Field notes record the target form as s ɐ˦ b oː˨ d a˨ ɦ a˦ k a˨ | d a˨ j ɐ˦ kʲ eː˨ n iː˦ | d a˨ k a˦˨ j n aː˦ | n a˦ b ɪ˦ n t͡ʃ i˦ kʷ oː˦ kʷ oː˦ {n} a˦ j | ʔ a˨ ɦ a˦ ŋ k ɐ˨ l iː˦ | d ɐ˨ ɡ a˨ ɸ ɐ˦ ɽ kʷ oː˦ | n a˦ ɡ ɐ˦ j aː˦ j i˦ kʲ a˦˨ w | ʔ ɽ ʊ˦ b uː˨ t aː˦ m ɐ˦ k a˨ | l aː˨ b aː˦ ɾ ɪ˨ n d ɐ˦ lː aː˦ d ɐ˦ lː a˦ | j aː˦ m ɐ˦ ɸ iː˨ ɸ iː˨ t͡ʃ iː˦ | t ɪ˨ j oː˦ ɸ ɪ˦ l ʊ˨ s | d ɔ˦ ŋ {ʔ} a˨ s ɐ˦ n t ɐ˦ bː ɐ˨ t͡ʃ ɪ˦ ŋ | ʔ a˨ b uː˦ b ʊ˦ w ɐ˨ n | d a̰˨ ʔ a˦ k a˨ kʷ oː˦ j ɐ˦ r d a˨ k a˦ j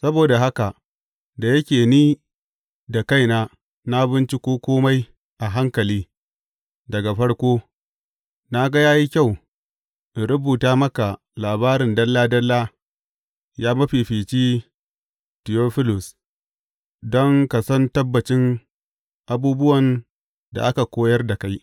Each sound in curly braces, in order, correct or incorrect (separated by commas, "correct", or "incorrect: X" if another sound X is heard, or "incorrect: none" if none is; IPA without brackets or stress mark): incorrect: m, incorrect: k